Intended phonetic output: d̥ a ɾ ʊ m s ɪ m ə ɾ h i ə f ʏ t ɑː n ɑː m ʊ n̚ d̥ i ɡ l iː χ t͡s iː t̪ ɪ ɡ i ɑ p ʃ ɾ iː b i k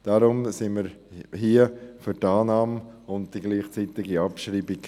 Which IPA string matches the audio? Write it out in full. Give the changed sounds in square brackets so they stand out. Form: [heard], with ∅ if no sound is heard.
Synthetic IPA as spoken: d̥ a ɾ ʊ m s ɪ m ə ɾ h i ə f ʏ t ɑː n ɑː m ʊ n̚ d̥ i ɡ l iː χ t͡s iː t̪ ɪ ɡ i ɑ p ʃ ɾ iː b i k